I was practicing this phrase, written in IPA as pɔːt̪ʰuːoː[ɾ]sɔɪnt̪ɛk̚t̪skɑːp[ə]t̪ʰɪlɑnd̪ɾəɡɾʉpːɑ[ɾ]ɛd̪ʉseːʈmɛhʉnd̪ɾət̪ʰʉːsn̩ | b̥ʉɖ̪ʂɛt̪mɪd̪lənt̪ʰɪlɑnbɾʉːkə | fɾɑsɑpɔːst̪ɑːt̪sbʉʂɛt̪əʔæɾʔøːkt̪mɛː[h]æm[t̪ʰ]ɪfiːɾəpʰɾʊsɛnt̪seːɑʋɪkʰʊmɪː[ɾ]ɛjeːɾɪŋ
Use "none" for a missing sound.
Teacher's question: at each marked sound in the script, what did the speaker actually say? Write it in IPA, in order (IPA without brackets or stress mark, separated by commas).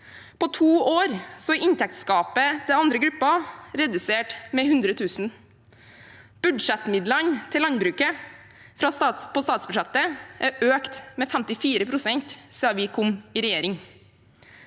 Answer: ɾ, ə, ɾ, f, t̪, ɾ